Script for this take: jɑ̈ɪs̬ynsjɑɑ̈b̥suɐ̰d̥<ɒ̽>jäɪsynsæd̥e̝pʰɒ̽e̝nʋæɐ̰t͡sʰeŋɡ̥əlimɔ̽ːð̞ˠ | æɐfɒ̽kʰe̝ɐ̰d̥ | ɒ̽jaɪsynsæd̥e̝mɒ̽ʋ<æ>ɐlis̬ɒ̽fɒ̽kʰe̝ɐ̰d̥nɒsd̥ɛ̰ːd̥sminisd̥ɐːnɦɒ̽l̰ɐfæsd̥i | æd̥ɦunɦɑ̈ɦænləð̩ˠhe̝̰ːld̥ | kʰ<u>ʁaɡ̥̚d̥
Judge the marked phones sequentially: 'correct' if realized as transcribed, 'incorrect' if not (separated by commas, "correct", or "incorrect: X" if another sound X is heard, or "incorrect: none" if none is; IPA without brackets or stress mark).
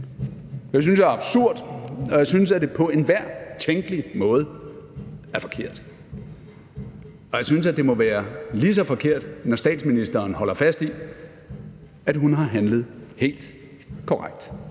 correct, incorrect: æː, incorrect: ɒ